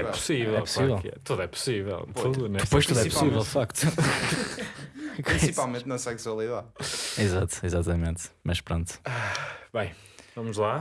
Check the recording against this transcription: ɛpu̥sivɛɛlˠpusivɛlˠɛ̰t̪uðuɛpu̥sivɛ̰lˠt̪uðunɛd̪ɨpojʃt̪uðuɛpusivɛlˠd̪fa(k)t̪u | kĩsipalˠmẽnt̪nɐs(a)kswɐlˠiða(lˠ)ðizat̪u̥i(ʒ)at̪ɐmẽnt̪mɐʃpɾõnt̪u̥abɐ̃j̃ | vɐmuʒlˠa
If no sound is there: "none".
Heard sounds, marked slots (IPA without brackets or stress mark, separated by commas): k, ɛ, none, z